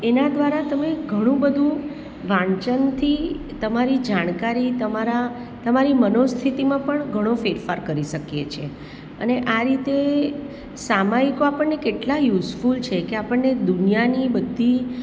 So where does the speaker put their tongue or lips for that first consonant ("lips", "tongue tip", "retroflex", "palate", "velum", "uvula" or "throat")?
tongue tip